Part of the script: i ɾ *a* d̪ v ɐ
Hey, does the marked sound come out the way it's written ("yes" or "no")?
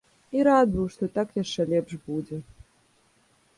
yes